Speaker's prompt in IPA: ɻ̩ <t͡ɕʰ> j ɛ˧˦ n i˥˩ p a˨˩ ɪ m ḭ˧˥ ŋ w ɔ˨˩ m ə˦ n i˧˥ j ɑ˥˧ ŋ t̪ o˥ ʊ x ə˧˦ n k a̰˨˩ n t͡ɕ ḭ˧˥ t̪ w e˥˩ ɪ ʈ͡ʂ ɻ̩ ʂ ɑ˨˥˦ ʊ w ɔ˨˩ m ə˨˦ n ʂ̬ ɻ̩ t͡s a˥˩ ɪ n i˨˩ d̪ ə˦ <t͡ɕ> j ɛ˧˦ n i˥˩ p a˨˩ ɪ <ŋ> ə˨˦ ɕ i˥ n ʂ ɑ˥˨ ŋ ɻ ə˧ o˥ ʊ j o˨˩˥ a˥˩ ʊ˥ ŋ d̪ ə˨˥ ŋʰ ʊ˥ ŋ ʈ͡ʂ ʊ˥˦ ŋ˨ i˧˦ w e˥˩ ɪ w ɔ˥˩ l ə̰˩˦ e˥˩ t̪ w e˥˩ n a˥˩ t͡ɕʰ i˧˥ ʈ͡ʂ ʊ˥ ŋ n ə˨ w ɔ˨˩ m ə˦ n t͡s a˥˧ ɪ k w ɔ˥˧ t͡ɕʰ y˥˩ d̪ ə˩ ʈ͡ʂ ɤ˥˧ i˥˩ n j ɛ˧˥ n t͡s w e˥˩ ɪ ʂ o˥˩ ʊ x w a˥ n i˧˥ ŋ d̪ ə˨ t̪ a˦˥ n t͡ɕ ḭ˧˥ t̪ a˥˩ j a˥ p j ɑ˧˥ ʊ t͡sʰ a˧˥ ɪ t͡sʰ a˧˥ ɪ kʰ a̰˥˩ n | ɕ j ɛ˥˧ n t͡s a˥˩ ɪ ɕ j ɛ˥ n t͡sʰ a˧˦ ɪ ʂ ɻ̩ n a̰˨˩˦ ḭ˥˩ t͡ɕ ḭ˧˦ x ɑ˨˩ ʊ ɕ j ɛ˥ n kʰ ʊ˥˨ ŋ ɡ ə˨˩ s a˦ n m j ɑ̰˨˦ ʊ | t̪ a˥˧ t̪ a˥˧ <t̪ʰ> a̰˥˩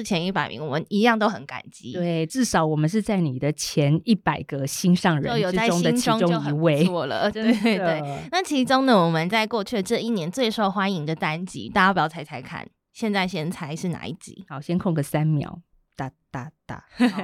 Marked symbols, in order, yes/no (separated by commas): yes, no, no, no